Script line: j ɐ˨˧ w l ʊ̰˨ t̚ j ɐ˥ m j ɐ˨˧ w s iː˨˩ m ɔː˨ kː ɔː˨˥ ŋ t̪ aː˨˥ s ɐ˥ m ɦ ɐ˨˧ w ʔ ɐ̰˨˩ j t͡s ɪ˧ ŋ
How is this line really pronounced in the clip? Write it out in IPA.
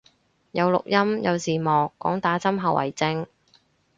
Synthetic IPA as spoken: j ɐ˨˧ w l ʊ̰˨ k̚ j ɐ˥ m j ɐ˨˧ w s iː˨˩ m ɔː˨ kː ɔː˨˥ ŋ t̪ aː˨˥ t͡s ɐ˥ m ɦ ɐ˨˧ w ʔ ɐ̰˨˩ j t͡s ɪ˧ ŋ